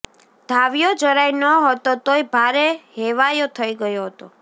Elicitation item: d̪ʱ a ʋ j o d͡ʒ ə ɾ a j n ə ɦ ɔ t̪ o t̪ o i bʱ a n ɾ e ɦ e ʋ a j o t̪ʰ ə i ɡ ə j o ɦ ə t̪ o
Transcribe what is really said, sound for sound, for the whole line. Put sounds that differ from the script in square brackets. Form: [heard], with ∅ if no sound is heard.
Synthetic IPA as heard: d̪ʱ a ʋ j o d͡ʒ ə ɾ a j n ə ɦ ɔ t̪ o t̪ o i bʱ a [∅] ɾ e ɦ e ʋ a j o t̪ʰ ə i ɡ ə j o ɦ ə t̪ o